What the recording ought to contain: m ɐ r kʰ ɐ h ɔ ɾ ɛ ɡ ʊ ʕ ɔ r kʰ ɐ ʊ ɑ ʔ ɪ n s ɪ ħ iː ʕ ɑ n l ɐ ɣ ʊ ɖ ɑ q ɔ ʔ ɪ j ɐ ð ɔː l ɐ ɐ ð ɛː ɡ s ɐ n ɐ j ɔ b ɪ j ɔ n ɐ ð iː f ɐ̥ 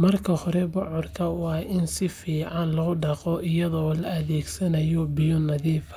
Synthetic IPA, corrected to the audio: m ɐ r kʰ ɐ h ɔ ɾ ɛ b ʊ ʕ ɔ r kʰ ɐ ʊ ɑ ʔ ɪ n s ɪ f iː ʕ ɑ n l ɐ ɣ ʊ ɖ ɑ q ɔ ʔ ɪ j ɐ ð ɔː l ɐ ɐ ð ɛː ɡ s ɐ n ɐ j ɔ b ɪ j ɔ n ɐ ð iː f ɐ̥